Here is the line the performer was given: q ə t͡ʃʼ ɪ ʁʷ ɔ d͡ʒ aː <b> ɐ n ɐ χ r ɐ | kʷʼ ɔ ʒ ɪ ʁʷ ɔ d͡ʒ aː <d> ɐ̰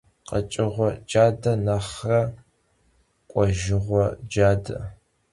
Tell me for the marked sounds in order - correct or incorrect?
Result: incorrect, correct

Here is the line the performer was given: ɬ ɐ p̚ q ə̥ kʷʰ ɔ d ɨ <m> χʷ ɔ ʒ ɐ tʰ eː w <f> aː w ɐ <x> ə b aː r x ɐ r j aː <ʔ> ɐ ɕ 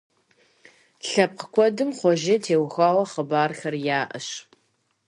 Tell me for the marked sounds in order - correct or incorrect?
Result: correct, incorrect, incorrect, correct

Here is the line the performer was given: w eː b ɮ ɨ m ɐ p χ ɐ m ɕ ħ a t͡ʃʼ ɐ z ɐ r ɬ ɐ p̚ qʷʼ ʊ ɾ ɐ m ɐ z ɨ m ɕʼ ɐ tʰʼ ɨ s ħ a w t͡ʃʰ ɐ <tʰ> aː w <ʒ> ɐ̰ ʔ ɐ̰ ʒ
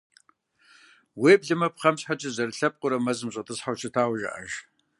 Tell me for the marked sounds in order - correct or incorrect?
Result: correct, correct

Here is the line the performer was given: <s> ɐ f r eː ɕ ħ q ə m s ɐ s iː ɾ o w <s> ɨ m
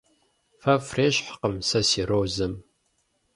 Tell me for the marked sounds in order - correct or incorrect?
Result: incorrect, incorrect

